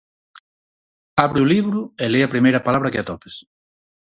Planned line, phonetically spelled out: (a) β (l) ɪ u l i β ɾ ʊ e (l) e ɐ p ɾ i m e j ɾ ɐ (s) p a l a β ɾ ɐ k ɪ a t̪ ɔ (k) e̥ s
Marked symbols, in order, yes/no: yes, no, yes, no, no

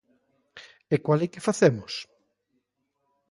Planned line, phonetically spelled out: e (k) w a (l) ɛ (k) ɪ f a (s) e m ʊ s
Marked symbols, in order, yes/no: yes, yes, yes, no

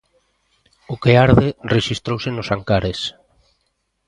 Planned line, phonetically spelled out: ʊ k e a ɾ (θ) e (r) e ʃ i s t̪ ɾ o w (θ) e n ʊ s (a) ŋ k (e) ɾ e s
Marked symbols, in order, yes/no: no, yes, no, yes, no

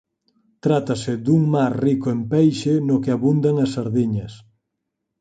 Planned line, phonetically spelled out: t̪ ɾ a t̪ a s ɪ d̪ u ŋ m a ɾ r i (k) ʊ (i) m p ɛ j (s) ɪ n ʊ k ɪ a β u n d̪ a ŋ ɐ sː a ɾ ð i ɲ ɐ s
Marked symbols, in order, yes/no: yes, no, no

